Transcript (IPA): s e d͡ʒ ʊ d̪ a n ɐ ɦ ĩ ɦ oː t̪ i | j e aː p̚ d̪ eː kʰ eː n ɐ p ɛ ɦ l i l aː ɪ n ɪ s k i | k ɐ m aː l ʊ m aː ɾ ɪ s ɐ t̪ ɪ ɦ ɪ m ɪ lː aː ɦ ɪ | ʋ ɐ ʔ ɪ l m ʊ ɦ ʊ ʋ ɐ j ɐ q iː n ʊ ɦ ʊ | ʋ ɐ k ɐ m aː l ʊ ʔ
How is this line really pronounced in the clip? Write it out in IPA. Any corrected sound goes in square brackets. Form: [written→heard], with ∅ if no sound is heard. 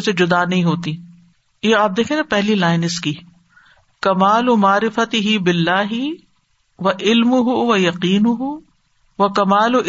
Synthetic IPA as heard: s e d͡ʒ ʊ d̪ a n ɐ ɦ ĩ ɦ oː t̪ i | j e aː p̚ d̪ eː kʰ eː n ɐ p ɛ ɦ l i l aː ɪ n ɪ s k i | k ɐ m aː l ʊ m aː ɾ ɪ [s→f] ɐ t̪ ɪ ɦ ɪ [m→b] ɪ lː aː ɦ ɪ | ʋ ɐ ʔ ɪ l m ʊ ɦ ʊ ʋ ɐ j ɐ q iː n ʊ ɦ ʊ | ʋ ɐ k ɐ m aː l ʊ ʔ